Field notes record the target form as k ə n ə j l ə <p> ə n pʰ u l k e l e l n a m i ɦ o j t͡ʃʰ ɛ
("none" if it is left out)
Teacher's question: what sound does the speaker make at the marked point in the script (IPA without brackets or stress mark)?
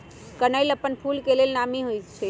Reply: p